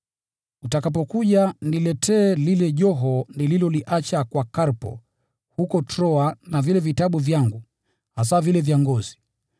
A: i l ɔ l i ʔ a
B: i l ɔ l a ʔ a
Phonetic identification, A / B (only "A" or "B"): A